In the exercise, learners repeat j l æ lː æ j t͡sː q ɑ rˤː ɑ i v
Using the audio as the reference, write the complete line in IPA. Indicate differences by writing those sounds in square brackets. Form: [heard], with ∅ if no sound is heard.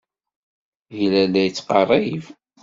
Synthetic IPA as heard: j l æ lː æ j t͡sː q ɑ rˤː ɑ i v

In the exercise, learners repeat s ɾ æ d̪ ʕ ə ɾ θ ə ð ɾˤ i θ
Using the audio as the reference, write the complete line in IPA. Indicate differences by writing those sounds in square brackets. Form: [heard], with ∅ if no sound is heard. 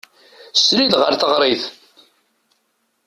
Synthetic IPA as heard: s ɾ [i] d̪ [ʁ] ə ɾ θ ə [ʁ] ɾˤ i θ

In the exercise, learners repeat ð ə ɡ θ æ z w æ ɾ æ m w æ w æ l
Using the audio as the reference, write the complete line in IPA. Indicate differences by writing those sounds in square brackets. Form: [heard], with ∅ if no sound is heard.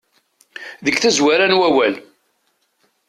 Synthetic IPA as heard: ð ə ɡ θ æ z w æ ɾ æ [n] w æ w æ l

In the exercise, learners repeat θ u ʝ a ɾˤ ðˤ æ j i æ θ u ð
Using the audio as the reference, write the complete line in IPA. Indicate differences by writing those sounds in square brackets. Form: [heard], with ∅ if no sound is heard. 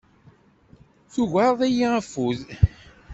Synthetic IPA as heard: θ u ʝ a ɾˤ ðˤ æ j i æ [f] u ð

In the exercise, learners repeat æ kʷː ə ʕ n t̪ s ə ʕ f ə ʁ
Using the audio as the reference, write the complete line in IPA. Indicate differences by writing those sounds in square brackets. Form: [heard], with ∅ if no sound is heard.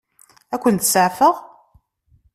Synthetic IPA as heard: æ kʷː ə [∅] n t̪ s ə ʕ f ə ʁ

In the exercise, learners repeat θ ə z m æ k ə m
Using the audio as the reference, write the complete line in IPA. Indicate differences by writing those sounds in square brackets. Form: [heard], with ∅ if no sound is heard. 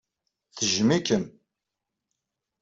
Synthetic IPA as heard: θ ə [ʒ] m [i] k ə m

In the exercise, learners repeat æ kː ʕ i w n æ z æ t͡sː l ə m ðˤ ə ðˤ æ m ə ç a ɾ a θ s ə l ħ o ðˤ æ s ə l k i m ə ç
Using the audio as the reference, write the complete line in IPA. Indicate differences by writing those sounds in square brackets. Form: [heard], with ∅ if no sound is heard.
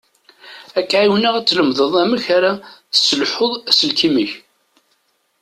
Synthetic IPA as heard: æ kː ʕ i w n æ [ʁ] æ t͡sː l ə m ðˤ ə ðˤ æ m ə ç a ɾ a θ s ə l ħ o ðˤ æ s ə l k i m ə ç

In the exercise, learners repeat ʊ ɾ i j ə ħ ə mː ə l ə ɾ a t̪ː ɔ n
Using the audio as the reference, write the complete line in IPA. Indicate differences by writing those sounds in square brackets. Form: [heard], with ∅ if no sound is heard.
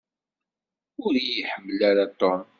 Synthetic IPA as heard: ʊ ɾ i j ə ħ ə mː ə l [a] ɾ a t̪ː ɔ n

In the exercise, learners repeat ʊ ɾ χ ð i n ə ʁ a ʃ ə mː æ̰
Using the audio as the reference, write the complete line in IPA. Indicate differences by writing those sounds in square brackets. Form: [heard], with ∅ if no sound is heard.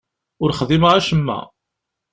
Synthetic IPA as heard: ʊ ɾ χ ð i [m] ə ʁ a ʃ ə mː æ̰

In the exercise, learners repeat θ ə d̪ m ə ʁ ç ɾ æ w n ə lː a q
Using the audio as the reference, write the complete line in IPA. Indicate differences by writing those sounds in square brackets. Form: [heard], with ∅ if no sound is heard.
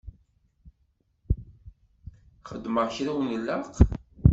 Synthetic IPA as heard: [χ] ə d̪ m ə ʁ ç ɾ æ w n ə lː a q

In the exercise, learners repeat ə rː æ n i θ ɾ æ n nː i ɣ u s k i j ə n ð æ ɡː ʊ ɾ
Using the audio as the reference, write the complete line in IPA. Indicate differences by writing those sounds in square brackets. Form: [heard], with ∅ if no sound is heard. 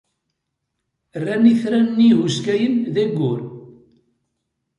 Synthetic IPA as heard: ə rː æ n i θ ɾ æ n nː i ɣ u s k [æ] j ə n ð æ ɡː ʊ ɾ

